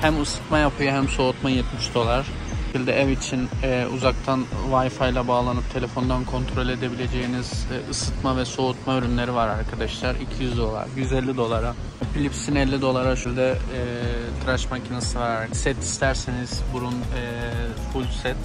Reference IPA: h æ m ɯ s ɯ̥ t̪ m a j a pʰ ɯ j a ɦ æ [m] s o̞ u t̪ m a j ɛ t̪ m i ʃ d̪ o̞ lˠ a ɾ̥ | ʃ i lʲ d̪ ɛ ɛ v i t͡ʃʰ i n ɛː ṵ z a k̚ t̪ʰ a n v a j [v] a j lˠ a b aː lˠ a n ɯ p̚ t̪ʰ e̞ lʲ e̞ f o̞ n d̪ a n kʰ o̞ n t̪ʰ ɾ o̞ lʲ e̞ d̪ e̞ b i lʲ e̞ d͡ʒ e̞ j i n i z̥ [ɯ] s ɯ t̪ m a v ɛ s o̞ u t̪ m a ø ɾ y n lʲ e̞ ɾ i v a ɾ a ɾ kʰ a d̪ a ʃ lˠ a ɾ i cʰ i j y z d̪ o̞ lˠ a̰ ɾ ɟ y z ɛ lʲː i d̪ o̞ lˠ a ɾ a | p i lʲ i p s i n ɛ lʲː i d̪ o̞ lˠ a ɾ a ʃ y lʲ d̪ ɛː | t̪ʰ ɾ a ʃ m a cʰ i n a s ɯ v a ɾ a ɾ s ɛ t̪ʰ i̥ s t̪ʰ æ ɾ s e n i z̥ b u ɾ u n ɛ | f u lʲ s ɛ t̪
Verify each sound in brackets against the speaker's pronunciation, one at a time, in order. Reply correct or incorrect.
correct, incorrect, correct

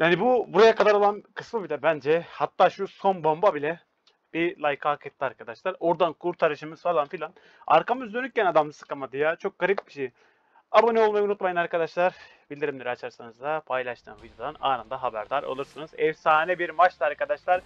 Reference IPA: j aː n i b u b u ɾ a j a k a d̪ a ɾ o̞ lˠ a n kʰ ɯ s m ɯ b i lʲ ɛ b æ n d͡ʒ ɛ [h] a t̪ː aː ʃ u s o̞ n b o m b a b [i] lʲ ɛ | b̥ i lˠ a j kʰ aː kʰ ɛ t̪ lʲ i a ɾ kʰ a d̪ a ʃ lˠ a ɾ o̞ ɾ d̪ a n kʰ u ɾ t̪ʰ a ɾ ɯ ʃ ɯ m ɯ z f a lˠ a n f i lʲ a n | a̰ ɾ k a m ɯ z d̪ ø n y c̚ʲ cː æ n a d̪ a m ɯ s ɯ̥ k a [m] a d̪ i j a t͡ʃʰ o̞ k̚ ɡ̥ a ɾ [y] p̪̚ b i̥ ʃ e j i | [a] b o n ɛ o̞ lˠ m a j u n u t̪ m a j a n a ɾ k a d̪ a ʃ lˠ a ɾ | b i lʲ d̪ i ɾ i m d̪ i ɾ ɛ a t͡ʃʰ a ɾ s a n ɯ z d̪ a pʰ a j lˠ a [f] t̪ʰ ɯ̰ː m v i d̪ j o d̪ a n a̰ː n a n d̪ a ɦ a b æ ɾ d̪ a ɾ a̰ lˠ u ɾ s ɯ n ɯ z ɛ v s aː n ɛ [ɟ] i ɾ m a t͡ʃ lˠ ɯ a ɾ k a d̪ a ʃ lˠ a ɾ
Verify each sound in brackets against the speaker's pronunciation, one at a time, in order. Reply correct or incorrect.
correct, correct, correct, incorrect, correct, incorrect, incorrect

